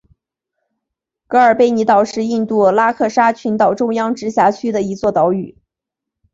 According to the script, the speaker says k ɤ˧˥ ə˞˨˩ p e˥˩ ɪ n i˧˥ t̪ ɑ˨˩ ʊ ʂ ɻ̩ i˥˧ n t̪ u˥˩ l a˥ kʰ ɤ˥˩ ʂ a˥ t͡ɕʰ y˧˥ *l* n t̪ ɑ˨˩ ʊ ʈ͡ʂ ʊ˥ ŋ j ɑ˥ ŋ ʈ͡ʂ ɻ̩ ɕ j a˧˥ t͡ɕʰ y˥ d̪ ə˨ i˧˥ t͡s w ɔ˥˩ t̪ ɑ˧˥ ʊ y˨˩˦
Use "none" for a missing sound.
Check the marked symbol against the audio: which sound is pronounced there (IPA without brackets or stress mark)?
none